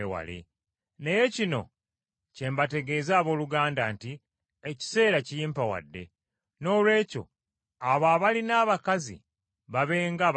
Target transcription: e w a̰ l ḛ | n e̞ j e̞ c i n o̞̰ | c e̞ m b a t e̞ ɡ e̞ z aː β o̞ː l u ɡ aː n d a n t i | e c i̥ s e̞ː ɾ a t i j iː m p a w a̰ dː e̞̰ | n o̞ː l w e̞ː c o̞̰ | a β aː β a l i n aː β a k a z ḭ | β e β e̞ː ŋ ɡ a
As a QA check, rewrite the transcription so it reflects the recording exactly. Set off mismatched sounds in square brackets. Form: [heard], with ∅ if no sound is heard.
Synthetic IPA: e w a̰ l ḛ | n e̞ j e̞ c i n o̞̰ | c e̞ m b a t e̞ ɡ e̞ z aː β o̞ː l u ɡ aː n d a n t i | e c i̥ s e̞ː ɾ a [c] i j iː m p a w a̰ dː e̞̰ | n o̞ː l w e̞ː c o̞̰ | a β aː β a l i n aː β a k a z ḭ | β [a] β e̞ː ŋ ɡ a